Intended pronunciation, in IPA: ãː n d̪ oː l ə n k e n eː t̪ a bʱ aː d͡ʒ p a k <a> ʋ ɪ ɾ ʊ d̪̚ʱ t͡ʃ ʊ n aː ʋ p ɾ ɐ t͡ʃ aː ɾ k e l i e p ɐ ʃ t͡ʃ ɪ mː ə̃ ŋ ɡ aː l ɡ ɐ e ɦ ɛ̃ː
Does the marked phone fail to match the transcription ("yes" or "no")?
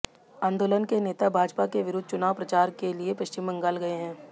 yes